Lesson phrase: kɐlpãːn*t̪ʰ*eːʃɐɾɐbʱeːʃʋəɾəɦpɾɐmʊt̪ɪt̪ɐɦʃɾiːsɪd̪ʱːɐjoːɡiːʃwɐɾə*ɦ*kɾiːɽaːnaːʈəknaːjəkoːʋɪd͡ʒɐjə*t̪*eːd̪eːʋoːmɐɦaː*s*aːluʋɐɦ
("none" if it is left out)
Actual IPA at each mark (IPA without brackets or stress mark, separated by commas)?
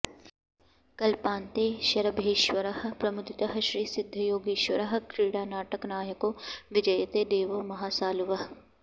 t̪, ɦ, t̪, s